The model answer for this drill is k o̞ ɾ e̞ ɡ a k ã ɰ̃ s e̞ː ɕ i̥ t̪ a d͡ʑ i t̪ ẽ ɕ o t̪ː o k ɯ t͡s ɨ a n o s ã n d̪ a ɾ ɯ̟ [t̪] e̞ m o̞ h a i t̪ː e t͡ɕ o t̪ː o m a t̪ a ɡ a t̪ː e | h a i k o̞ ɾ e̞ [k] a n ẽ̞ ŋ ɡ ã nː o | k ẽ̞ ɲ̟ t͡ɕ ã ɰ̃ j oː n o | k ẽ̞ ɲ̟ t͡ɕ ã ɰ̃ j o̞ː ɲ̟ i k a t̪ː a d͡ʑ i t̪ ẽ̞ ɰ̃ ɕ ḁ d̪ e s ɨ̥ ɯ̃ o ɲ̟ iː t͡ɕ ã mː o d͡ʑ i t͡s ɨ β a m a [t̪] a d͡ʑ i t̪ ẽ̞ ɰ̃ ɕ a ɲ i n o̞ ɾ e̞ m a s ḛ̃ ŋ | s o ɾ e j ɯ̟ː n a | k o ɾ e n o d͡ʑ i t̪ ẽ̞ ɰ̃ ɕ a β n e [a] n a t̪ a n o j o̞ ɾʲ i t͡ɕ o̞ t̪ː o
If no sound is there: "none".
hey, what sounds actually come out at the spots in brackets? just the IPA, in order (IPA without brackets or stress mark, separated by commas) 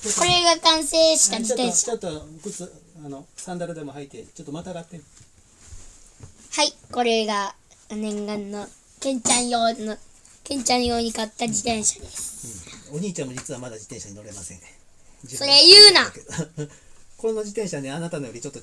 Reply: d̪, ɡ, d̪, a